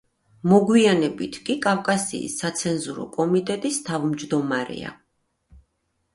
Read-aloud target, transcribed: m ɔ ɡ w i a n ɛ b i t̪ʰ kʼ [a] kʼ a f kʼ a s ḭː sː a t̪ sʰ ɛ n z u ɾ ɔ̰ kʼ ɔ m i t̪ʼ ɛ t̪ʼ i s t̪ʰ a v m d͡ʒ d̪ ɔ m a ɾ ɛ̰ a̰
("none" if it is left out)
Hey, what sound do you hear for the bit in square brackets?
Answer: i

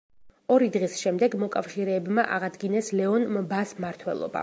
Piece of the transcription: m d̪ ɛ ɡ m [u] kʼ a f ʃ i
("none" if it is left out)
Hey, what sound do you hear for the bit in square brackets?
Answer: ɔ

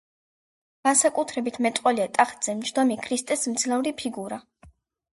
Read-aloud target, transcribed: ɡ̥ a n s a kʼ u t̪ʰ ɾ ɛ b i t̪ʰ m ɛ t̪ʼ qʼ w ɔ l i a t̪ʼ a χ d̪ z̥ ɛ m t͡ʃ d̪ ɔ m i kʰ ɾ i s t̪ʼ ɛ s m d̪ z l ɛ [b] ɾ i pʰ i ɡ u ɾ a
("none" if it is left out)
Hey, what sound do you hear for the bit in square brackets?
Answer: v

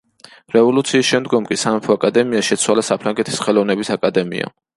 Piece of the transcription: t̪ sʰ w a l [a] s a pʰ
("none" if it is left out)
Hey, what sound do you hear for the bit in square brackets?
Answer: a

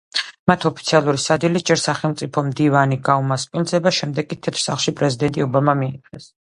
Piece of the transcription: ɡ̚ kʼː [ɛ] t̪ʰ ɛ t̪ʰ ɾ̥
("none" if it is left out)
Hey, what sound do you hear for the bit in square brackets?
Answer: i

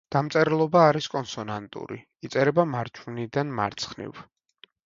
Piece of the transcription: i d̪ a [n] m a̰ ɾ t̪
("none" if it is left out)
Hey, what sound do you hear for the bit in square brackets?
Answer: n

